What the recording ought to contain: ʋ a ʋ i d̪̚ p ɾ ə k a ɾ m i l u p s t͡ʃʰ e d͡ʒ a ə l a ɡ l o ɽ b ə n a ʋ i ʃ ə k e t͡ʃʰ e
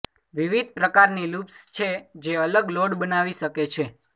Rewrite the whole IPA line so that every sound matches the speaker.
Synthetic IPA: ʋ i ʋ i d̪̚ p ɾ ə k a ɾ n i l u p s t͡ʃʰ e d͡ʒ e ə l ə ɡ l o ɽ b ə n a ʋ i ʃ ə k e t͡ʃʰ e